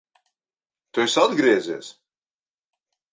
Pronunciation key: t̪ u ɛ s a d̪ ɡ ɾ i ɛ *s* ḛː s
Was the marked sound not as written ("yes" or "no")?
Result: yes